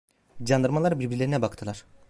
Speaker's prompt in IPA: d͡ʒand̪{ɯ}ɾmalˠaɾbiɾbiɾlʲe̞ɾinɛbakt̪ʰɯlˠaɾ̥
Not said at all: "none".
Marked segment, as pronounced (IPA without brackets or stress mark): ɯ